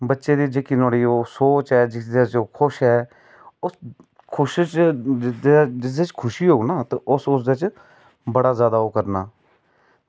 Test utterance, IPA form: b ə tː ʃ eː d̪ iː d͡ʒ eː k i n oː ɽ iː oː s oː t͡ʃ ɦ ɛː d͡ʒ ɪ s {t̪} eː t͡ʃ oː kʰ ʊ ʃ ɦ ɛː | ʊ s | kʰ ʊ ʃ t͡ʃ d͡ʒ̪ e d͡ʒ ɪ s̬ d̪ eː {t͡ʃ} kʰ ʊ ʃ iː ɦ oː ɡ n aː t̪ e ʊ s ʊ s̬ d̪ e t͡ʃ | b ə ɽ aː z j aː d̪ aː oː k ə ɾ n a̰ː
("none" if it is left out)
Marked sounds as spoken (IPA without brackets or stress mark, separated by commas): d̪, t͡ʃ